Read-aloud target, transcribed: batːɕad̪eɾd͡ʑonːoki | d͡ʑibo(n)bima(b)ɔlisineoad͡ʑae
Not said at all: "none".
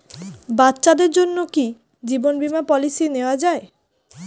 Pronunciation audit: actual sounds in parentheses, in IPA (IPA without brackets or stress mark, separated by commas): n, p